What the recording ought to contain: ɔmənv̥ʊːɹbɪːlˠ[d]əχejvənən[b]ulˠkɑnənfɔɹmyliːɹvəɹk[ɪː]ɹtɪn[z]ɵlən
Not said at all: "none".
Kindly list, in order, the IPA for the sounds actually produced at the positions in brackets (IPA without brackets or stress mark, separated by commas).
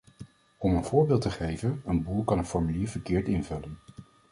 t, b, ɪː, v